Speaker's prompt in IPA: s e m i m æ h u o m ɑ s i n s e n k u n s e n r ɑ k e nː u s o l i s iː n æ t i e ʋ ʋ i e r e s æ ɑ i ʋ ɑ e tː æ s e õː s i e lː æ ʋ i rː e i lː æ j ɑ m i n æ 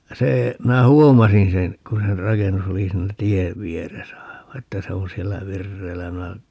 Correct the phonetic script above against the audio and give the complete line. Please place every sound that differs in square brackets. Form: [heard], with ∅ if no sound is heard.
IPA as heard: s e m i [n] æ h u o m ɑ s i n s e n k u n s e n r ɑ k e nː u s o l i s iː n æ t i e ʋ ʋ i e r e s æ ɑ i ʋ ɑ e tː æ s e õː s i e lː æ ʋ i rː e i lː æ j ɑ m i n æ